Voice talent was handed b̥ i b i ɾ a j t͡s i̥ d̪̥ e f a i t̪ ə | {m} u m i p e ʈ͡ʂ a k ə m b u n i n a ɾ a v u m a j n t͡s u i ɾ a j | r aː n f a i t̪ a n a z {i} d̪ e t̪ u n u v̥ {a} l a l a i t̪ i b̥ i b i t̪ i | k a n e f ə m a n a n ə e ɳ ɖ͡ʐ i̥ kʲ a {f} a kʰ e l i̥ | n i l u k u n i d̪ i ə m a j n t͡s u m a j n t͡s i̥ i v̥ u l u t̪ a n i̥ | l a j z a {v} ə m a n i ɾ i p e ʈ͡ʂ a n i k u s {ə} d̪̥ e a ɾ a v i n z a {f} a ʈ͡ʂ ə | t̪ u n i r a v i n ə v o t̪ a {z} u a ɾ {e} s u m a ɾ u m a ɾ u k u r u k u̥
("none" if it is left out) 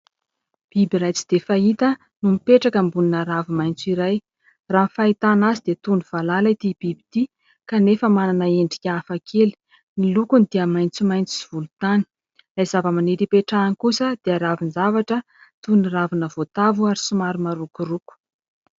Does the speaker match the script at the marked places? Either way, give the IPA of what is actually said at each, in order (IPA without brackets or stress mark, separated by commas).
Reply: n, i, a, f, v, ə, v, v, i